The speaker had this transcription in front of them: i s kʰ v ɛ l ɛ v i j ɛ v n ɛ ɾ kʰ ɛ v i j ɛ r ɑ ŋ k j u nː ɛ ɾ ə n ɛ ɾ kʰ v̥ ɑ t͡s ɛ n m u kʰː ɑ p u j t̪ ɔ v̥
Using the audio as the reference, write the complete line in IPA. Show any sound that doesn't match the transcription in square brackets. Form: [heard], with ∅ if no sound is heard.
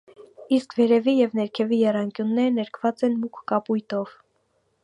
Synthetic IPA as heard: i s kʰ v ɛ [ɾ] ɛ v i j ɛ v n ɛ ɾ kʰ ɛ v i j ɛ r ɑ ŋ k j u nː ɛ ɾ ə n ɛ ɾ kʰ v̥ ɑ t͡s ɛ n m u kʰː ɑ p u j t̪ ɔ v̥